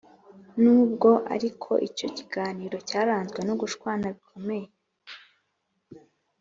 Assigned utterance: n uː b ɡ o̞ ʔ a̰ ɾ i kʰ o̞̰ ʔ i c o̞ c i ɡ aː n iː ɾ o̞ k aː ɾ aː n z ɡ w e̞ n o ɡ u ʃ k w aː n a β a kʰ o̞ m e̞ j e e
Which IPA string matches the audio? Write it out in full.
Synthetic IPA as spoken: n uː b ɡ o̞ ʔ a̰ ɾ i kʰ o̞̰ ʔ i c o̞ c i ɡ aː n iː ɾ o̞ c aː ɾ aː n z ɡ w e̞ n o ɡ u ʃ k w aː n a β i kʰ o̞ m e̞ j e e

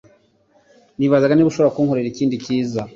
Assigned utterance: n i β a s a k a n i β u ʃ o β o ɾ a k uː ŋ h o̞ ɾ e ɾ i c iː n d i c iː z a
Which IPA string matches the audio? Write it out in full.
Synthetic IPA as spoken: n i β a z a ɡ a n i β u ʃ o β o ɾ a k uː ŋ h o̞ ɾ e ɾ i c iː n d i c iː z a

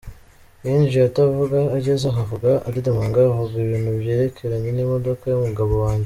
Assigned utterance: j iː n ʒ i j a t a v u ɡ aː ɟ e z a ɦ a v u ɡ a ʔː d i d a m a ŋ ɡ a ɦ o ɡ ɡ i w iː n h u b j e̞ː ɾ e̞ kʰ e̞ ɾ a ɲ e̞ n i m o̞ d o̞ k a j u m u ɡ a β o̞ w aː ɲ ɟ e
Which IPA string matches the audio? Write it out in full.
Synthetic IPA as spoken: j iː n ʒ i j a t a v u ɡ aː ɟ e z a ɦ a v u ɡ a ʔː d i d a m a ŋ ɡ a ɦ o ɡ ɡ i β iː n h u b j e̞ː ɾ e̞ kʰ e̞ ɾ a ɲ e̞ n i m o̞ d o̞ k a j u m u ɡ a β o̞ w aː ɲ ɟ e

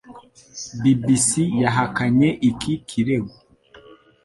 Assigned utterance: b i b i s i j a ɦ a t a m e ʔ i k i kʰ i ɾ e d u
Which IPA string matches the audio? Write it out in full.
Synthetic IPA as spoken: b i b i s i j a ɦ a k a ɲ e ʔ i k i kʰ i ɾ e ɡ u

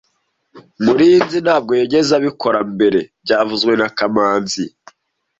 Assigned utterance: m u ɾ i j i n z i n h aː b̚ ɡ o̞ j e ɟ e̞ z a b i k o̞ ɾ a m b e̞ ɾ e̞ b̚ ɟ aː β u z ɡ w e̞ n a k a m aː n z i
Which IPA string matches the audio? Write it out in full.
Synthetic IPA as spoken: m u ɾ i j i n z i n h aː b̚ ɡ o̞ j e ɟ e̞ z a β i k o̞ ɾ a m b e̞ ɾ e̞ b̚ ɟ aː v u z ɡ w e̞ n a k a m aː n z i

